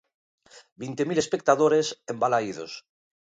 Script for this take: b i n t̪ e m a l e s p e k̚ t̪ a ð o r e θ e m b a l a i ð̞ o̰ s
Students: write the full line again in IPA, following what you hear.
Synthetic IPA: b i n t̪ e m i l e s p e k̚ t̪ a ð o ɾ e s e m b a l a i ð̞ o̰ s